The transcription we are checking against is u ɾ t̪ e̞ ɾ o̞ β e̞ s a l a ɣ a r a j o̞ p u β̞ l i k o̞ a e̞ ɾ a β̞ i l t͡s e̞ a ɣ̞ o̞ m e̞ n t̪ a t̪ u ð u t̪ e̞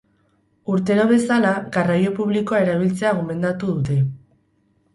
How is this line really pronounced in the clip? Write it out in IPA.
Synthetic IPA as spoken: u ɾ t̪ e̞ ɾ o̞ β e̞ s a l a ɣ a r a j o̞ p u β̞ l i k o̞ a e̞ ɾ a β̞ i l t͡s e̞ a ɣ̞ o̞ m e̞ n d̪ a t̪ u ð u t̪ e̞